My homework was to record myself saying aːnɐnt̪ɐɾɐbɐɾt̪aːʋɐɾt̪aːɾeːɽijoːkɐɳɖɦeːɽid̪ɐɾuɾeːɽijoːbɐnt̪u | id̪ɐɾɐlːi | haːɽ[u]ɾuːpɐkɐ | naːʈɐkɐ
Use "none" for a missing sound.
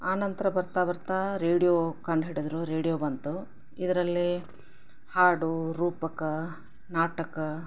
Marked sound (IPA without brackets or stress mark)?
u